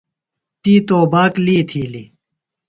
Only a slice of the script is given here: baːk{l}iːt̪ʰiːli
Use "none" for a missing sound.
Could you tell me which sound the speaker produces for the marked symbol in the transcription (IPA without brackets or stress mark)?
l